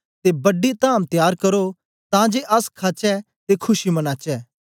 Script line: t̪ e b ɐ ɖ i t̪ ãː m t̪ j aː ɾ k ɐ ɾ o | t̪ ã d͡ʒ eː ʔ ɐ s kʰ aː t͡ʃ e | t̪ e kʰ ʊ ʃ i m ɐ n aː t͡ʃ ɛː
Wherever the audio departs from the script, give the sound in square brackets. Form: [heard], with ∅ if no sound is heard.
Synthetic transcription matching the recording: t̪ e b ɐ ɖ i t̪ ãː m t̪ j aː ɾ k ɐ ɾ o | t̪ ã d͡ʒ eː ʔ ɐ s kʰ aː t͡ʃ [ɛ] | t̪ e kʰ ʊ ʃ i m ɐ n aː t͡ʃ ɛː